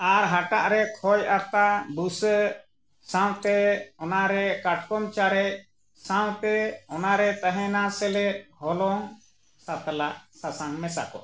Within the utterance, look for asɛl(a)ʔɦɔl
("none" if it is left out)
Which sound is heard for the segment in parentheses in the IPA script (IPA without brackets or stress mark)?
ɛ